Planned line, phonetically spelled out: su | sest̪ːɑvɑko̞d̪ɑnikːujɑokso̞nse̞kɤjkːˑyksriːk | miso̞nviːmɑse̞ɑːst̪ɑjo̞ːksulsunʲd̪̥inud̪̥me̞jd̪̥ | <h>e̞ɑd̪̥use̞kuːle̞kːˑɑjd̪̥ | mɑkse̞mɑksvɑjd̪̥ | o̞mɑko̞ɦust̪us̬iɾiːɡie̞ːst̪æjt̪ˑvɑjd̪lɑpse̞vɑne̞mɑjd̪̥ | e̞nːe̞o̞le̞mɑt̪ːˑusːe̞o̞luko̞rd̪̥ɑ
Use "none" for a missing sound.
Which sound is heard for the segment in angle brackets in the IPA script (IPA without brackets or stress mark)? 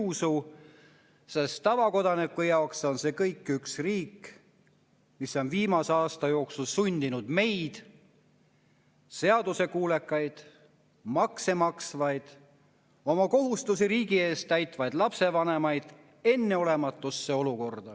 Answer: s